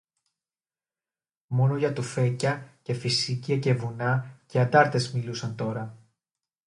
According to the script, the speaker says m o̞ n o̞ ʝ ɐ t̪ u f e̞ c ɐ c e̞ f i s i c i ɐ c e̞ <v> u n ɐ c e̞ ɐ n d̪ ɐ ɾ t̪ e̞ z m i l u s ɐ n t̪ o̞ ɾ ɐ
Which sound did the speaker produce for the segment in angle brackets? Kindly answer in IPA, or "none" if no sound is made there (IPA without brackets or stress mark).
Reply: v